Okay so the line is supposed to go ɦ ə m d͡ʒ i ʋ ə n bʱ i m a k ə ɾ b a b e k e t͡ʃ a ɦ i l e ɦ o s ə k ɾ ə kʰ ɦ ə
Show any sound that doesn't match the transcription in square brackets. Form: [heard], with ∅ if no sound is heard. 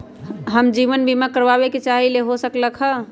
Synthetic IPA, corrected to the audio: ɦ ə m d͡ʒ i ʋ ə n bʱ i m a k ə ɾ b a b e k e t͡ʃ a ɦ i l e ɦ o s ə k [l] ə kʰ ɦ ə